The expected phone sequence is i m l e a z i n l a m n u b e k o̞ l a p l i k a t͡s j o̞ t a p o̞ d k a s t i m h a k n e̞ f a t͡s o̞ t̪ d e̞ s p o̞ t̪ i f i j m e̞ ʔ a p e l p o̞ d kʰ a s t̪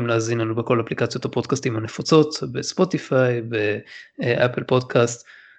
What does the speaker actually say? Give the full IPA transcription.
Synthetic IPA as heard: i m l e a z i n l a n u b e k o̞ l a p l i k a t͡s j o̞ t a p o̞ d k a s t i m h a n e̞ f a t͡s o̞ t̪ b e̞ s p o̞ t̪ i f a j b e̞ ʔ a p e l p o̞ d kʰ a s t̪